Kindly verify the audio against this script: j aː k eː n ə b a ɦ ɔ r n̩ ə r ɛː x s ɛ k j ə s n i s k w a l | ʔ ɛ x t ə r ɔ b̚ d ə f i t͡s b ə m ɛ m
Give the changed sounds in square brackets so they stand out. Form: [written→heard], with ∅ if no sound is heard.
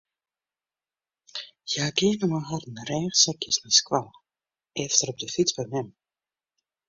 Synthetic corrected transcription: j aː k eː n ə [b→m] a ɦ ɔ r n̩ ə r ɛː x s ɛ k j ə s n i s k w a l | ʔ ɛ [x→f] t ə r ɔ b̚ d ə f i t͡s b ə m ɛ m